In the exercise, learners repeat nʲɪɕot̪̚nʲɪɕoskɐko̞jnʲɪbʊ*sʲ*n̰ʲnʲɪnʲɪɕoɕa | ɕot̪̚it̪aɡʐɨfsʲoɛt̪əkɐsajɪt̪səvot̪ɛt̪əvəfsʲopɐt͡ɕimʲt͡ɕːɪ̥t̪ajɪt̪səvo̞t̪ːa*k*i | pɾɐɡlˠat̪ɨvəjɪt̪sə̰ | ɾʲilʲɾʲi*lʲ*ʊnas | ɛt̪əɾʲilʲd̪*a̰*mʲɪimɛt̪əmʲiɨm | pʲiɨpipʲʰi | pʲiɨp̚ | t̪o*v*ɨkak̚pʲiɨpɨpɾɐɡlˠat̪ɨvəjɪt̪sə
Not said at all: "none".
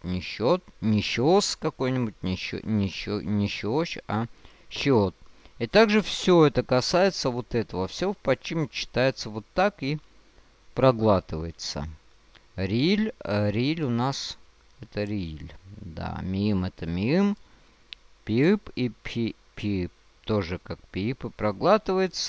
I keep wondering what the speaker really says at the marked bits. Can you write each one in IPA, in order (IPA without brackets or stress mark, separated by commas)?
tʲ, k, lʲ, a̰, ʐ